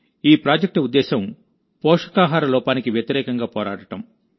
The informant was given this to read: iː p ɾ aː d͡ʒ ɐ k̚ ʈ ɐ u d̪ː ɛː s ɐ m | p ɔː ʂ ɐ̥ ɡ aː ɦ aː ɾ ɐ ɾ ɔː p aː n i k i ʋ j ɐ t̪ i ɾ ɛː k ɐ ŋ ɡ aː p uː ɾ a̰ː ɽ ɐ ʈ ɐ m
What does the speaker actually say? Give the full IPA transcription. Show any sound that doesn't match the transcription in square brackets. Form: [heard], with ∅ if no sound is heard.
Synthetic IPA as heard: iː p ɾ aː d͡ʒ ɐ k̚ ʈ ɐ u d̪ː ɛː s ɐ m | p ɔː ʂ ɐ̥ [k] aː ɦ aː ɾ ɐ [l] ɔː p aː n i k i ʋ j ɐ t̪ i ɾ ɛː k ɐ ŋ ɡ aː p [ɔː] ɾ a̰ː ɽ ɐ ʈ ɐ m